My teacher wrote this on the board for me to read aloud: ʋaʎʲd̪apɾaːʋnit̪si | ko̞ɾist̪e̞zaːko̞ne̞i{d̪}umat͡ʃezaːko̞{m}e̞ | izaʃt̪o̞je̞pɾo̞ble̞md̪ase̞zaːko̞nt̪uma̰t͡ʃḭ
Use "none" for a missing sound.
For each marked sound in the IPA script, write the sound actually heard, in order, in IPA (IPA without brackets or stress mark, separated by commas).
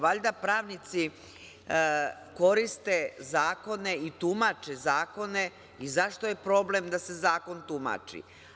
t̪, n